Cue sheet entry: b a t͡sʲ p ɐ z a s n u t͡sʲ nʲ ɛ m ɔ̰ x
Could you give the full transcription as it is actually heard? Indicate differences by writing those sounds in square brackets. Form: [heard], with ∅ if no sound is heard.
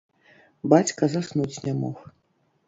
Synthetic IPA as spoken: b a t͡sʲ [k] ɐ z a s n u t͡sʲ nʲ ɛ m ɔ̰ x